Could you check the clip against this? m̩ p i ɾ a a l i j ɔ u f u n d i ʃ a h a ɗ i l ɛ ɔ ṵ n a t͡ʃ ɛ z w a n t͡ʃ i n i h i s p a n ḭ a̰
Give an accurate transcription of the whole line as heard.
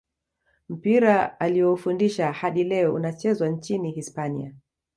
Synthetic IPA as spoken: m̩ p i ɾ a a l i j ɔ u f u n d i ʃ a h a ɗ i l ɛ ɔ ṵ n a t͡ʃ ɛ z w a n t͡ʃ i n i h i s p a n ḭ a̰

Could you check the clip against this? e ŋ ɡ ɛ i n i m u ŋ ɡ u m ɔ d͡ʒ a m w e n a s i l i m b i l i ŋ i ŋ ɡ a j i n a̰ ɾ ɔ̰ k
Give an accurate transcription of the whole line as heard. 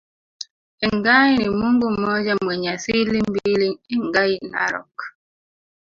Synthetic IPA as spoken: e ŋ ɡ a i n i m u ŋ ɡ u m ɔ d͡ʒ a m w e ɲ a s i l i m b i l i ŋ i ŋ ɡ a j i n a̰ ɾ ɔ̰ k

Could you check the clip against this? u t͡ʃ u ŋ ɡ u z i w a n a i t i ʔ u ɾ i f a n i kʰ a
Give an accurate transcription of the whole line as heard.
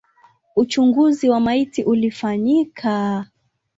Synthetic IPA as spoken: u t͡ʃ u ŋ ɡ u z i w a m a i t i ʔ u l i f a ɲ i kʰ a

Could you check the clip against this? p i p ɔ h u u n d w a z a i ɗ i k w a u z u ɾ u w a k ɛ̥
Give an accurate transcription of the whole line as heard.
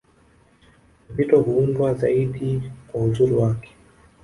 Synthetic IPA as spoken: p i t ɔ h u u n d w a z a i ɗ i k w a u z u ɾ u w a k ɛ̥

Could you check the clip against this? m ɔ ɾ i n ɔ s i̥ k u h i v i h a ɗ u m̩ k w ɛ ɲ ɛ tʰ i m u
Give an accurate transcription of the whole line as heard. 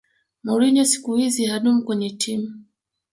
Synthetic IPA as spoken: m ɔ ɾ i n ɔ s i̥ k u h i z i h a ɗ u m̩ k w ɛ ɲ ɛ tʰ i m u

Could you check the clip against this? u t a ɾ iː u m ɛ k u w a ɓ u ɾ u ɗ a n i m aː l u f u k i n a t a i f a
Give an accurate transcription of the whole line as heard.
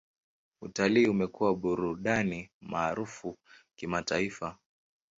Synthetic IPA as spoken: u t a l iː u m ɛ k u w a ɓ u ɾ u ɗ a n i m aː ɾ u f u k i m a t a i f a

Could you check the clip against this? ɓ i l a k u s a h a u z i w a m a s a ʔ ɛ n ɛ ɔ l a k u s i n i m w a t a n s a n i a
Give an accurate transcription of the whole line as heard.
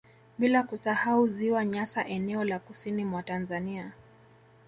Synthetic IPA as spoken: ɓ i l a k u s a h a u z i w a ɲ a s a ʔ ɛ n ɛ ɔ l a k u s i n i m w a t a n z a n i a

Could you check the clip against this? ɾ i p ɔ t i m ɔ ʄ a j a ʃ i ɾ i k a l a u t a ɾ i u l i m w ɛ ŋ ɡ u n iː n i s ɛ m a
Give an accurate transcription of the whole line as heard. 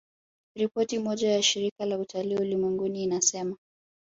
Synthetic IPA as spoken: ɾ i p ɔ t i m ɔ ʄ a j a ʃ i ɾ i k a l a u t a l i u l i m w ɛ ŋ ɡ u n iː n a s ɛ m a

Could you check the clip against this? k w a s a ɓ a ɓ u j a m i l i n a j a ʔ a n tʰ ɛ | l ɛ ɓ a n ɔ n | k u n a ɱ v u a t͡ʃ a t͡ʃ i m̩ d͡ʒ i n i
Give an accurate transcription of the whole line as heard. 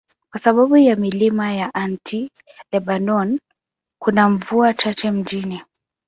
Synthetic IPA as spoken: k w a s a ɓ a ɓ u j a m i l i m a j a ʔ a n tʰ i | l ɛ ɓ a n ɔ n | k u n a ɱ v u a t͡ʃ a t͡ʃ ɛ m̩ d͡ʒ i n i

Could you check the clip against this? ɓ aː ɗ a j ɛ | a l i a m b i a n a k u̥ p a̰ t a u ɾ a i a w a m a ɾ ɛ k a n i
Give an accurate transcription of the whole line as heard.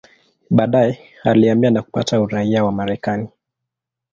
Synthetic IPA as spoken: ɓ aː ɗ a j ɛ | a l i a m b i a n a k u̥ p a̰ t a u ɾ a i a w a m a ɾ ɛ k a n i

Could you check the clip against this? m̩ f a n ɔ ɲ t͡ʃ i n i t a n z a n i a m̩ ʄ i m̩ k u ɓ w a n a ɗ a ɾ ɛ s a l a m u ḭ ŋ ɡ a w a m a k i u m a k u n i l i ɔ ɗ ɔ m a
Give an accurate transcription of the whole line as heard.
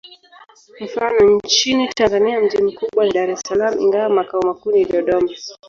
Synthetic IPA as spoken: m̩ f a n ɔ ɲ t͡ʃ i n i t a n z a n i a m̩ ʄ i m̩ k u ɓ w a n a ɗ a ɾ ɛ s a l a m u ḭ ŋ ɡ a w a m a k a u m a k u n i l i ɔ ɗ ɔ m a

